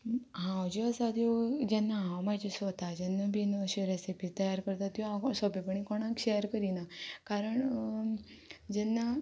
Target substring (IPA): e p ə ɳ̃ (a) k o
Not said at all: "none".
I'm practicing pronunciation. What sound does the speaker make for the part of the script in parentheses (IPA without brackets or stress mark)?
i